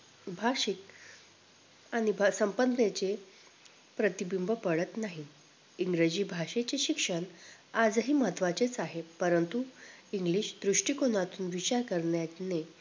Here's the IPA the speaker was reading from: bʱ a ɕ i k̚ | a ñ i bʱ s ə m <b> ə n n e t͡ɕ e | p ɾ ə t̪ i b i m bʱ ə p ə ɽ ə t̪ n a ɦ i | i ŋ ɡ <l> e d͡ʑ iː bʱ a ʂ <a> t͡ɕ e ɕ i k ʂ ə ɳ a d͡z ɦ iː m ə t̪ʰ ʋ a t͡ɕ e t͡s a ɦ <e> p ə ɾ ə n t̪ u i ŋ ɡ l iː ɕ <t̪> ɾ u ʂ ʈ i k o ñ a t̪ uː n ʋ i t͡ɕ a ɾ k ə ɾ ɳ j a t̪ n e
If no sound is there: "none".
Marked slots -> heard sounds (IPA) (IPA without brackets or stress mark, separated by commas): p, ɾ, e, e, d̪